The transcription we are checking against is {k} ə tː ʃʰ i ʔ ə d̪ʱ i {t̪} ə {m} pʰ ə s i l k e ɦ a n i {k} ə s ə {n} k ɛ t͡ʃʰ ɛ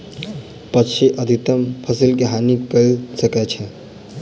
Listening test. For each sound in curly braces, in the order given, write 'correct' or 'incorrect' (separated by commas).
incorrect, correct, correct, correct, incorrect